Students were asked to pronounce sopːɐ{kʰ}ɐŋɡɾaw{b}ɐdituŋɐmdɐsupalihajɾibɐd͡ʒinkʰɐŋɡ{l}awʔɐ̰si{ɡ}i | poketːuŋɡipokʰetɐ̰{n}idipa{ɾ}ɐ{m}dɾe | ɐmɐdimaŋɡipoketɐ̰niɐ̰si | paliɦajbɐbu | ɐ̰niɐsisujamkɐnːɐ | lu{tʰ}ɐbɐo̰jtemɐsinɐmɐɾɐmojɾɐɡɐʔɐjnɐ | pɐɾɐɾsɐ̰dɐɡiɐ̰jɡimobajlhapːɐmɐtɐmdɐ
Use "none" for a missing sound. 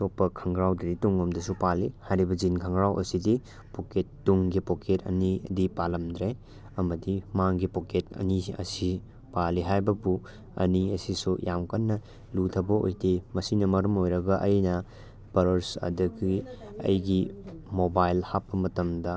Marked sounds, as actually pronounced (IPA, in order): kʰ, d, ɾ, d, n, l, m, tʰ

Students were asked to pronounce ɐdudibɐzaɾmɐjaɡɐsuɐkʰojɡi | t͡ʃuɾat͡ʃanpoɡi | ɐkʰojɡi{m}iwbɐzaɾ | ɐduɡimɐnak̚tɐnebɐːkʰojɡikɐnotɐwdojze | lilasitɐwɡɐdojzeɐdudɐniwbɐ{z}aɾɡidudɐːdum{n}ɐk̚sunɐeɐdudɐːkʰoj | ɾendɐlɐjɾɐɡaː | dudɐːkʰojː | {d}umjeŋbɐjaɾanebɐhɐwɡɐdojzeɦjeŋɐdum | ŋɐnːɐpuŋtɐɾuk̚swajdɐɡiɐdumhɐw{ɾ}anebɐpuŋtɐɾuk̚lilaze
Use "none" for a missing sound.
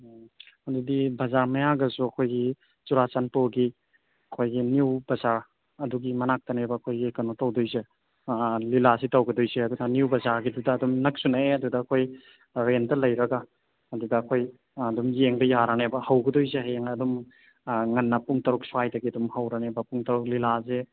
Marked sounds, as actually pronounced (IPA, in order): n, z, n, d, ɾ

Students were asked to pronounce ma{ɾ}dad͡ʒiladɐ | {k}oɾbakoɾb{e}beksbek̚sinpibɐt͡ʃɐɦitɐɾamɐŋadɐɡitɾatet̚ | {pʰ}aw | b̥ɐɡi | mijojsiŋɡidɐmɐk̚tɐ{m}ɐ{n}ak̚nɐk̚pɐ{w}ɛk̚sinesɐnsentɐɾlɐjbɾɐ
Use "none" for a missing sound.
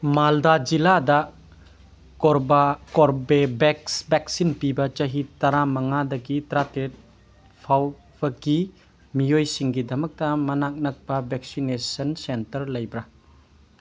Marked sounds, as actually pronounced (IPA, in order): l, k, e, pʰ, m, n, b

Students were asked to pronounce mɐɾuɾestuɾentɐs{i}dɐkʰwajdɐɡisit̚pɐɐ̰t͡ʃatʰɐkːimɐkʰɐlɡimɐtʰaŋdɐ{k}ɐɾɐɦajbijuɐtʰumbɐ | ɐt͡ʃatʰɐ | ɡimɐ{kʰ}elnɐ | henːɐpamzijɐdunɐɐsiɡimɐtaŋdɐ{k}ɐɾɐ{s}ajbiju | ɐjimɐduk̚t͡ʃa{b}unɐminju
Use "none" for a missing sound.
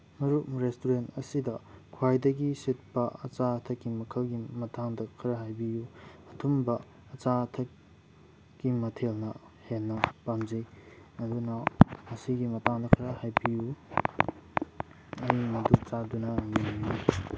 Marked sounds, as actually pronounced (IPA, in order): i, kʰ, tʰ, kʰ, h, d

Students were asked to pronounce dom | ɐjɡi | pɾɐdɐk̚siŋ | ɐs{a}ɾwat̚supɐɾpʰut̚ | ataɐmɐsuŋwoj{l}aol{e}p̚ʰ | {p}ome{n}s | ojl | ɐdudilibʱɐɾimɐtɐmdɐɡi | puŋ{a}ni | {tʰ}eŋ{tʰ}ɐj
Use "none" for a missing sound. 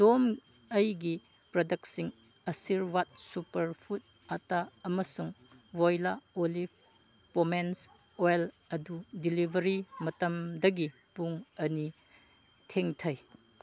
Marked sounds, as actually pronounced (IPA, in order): i, l, i, p, n, ɐ, tʰ, tʰ

